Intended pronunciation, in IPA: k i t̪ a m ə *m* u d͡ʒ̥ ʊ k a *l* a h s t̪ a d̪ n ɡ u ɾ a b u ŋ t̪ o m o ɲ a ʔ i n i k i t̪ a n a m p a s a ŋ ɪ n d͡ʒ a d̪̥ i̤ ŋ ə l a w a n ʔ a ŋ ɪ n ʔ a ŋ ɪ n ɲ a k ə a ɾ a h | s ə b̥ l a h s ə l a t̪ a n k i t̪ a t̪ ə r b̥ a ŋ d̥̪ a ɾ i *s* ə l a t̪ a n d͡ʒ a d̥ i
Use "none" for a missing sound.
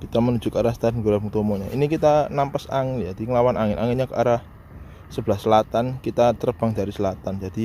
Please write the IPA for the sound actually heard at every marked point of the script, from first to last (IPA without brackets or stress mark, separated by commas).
n, ɾ, s